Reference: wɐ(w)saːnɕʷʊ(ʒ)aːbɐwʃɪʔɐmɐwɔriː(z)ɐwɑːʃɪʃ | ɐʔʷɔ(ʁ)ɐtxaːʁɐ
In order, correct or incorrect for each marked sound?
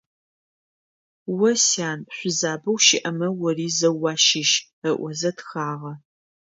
incorrect: none, incorrect: z, correct, incorrect: z

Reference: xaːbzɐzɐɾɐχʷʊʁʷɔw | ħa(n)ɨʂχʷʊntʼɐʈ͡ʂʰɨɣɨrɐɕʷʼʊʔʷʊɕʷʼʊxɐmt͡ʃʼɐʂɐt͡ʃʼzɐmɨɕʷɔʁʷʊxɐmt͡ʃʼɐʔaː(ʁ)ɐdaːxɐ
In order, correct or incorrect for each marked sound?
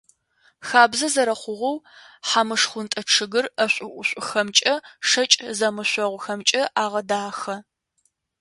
incorrect: m, correct

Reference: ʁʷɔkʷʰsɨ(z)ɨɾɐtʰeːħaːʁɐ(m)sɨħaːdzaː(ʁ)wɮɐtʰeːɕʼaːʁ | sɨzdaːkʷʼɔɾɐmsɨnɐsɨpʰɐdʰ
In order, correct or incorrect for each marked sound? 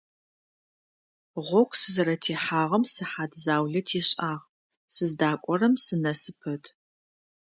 correct, correct, incorrect: none

